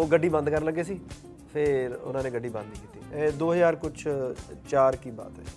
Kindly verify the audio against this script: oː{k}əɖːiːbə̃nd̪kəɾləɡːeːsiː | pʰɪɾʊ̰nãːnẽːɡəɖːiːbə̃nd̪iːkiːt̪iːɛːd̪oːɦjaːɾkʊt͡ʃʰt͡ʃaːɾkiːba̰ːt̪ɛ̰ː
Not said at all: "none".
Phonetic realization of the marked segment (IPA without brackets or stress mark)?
ɡ